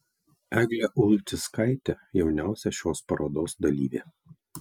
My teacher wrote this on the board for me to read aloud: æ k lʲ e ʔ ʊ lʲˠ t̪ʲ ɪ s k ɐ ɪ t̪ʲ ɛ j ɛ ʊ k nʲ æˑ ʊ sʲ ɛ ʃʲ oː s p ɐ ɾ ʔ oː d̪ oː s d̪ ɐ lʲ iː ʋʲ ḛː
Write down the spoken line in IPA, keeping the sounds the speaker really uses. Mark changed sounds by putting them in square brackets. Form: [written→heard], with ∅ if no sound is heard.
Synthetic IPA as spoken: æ [k→ɡ] lʲ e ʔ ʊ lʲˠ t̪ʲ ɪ s k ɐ ɪ t̪ʲ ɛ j ɛ ʊ [k→∅] nʲ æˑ ʊ sʲ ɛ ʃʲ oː s p ɐ ɾ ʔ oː d̪ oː s d̪ ɐ lʲ iː ʋʲ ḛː